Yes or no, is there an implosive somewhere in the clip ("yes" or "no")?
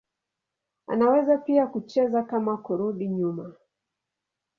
yes